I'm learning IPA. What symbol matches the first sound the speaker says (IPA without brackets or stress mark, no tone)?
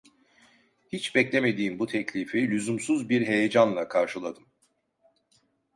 h